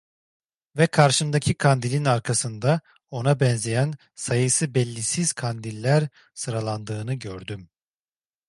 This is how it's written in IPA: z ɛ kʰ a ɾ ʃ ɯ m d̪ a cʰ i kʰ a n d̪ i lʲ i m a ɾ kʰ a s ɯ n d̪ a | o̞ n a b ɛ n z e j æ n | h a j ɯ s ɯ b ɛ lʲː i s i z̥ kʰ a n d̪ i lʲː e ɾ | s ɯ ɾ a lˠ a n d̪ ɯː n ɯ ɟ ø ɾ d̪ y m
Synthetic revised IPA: v ɛ kʰ a ɾ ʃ ɯ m d̪ a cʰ i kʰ a n d̪ i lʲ i n a ɾ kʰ a s ɯ n d̪ a | o̞ n a b ɛ n z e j æ n | s a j ɯ s ɯ b ɛ lʲː i s i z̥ kʰ a n d̪ i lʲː æ ɾ | s ɯ ɾ a lˠ a n d̪ ɯː n ɯ ɟ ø ɾ d̪ y m

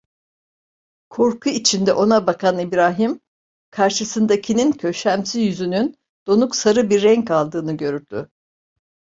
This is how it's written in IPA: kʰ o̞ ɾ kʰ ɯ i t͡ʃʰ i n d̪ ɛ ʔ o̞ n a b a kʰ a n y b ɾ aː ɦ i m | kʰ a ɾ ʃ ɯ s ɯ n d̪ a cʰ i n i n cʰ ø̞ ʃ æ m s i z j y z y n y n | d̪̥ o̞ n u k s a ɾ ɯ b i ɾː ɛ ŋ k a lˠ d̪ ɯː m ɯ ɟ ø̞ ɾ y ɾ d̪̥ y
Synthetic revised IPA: kʰ o̞ ɾ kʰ u i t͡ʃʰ i n d̪ ɛ ʔ o̞ n a b a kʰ a n i b ɾ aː ɦ i m | kʰ a ɾ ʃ ɯ s ɯ n d̪ a cʰ i n i n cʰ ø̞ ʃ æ m s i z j y z y n y n | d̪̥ o̞ n u k s a ɾ ɯ b i ɾː ɛ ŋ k a lˠ d̪ ɯː n ɯ ɟ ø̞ ɾ y ɾ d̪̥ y

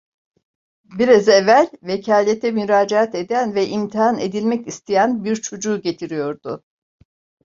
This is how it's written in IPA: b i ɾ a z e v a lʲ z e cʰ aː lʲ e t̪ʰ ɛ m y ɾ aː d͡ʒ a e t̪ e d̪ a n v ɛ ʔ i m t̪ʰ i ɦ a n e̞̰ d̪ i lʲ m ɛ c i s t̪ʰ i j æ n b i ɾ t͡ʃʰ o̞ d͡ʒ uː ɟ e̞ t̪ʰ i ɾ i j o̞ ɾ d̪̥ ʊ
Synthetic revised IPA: b i ɾ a z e v æ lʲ v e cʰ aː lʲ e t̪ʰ ɛ m y ɾ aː d͡ʒ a a t̪ e d̪ æ n v ɛ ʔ i m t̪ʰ i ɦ a n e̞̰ d̪ i lʲ m ɛ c i s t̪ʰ i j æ n b i ɾ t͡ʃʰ o̞ d͡ʒ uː ɟ e̞ t̪ʰ i ɾ i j o̞ ɾ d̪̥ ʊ

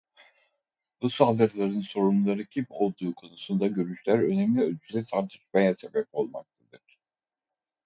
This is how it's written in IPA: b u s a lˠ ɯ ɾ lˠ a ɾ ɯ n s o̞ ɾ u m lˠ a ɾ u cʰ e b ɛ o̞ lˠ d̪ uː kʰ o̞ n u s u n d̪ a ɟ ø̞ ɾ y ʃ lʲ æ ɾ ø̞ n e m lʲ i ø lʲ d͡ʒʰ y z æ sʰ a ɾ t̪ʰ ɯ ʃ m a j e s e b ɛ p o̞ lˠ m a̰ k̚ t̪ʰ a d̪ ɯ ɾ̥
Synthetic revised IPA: b u s a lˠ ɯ ɾ lˠ a ɾ ɯ n s o̞ ɾ u m lˠ a ɾ ɯ cʰ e b i o̞ lˠ d̪ uː kʰ o̞ n u s u n d̪ a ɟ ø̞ ɾ y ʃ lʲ æ ɾ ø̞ n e m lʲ i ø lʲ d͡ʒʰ y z ɛ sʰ a ɾ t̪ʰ ɯ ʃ m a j a s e b ɛ p o̞ lˠ m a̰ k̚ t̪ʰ a d̪ ɯ ɾ̥

